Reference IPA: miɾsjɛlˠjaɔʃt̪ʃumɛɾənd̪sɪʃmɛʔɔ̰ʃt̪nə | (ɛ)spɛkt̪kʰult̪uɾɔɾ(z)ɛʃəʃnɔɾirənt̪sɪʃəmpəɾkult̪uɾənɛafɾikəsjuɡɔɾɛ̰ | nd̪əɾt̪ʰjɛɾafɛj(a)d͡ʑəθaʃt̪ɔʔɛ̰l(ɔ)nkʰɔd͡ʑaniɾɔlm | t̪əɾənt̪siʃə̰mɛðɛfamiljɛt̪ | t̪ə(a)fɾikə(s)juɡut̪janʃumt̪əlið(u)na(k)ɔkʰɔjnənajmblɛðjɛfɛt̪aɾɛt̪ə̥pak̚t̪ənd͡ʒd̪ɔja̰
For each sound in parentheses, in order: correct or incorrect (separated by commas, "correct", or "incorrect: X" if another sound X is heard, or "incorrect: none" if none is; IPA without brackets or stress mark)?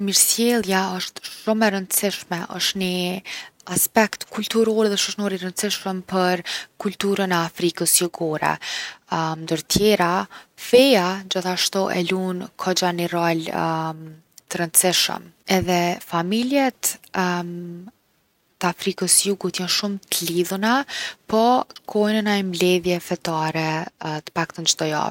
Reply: incorrect: a, incorrect: ð, correct, incorrect: u, correct, correct, correct, incorrect: p